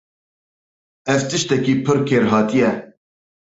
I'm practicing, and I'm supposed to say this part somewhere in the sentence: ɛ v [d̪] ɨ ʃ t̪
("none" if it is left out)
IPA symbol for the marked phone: t̪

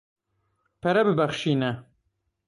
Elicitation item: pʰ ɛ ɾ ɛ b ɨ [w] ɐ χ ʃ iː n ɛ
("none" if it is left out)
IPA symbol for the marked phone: b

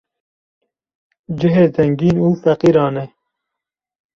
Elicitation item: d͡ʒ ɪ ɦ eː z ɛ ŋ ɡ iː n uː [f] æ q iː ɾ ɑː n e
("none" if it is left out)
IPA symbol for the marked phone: f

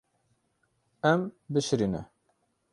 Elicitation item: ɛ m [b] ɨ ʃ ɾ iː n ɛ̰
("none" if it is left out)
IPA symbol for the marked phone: b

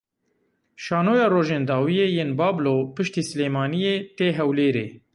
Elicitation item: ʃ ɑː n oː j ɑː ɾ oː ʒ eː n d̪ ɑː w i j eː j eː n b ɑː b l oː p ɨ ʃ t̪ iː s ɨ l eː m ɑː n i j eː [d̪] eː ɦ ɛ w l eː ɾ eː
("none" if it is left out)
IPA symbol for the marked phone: t̪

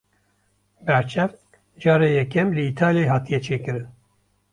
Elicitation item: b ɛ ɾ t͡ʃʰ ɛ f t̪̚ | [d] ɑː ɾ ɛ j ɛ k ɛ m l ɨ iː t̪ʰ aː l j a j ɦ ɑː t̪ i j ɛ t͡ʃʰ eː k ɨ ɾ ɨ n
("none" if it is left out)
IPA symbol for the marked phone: d͡ʒ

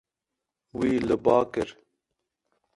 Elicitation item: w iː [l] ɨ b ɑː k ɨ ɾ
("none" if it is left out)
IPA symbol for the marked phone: l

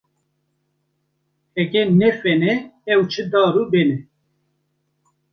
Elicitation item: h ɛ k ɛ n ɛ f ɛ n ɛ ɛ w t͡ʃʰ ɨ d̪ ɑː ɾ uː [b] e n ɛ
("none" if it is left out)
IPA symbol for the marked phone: b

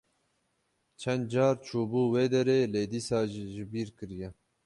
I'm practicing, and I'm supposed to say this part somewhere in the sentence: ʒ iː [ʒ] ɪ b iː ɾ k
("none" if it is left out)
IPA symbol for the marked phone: ʒ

